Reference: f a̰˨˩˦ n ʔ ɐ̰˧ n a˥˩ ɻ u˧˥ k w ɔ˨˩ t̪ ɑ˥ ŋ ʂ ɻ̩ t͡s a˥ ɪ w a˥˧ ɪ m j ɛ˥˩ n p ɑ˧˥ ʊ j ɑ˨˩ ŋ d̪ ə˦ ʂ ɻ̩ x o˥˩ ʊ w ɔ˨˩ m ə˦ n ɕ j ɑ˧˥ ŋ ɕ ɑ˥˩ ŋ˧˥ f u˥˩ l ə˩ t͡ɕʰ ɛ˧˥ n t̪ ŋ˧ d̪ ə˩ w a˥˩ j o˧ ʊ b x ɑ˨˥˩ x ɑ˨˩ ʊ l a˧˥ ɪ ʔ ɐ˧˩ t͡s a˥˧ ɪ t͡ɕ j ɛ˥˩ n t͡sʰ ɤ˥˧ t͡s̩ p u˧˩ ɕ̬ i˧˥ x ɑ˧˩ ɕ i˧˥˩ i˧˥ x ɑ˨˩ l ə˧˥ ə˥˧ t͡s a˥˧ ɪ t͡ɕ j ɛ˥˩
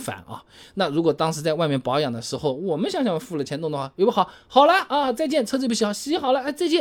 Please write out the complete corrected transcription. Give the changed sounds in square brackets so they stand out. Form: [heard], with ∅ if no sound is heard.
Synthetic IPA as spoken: f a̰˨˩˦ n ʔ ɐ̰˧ n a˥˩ ɻ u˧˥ k w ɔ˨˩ t̪ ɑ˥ ŋ ʂ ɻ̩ t͡s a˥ ɪ w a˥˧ ɪ m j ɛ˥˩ n p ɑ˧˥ ʊ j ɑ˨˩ ŋ d̪ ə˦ ʂ ɻ̩ x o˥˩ ʊ w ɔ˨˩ m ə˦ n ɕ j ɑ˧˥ ŋ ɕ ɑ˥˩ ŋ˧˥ f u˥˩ l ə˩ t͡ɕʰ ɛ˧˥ n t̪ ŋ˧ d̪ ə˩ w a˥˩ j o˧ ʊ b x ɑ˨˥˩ x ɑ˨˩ ʊ l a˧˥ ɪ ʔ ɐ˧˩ t͡s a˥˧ ɪ t͡ɕ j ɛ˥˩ n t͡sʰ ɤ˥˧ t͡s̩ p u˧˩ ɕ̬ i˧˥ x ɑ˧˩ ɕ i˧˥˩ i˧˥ x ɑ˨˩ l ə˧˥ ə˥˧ t͡s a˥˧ ɪ t͡ɕ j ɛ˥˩